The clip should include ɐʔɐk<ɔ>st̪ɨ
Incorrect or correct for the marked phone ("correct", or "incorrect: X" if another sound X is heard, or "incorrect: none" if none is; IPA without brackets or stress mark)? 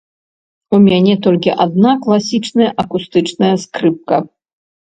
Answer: incorrect: u